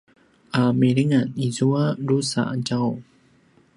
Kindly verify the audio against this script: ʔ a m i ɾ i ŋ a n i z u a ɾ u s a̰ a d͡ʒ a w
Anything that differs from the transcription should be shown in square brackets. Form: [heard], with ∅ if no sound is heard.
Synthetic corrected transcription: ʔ a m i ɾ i ŋ a n i z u a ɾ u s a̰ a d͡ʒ a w

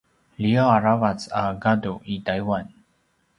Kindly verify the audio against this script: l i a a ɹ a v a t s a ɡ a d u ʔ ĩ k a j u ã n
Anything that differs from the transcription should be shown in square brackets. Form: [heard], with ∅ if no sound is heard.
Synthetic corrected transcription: l i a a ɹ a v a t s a ɡ a d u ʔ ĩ [t] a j [w] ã n

